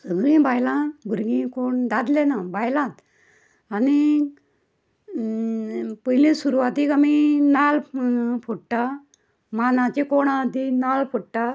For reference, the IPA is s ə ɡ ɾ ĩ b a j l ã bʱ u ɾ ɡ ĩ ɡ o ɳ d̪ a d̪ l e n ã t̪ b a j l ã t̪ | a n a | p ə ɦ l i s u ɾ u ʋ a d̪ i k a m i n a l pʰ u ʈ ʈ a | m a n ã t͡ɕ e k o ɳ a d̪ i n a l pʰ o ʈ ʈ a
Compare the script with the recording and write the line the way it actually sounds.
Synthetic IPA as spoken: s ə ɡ ɾ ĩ b a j l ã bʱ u ɾ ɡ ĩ k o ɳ d̪ a d̪ l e n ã b a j l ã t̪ | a n i | p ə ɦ l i s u ɾ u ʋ a t̪ i k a m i n a l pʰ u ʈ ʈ a | m a n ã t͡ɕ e k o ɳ a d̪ i n a l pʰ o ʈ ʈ a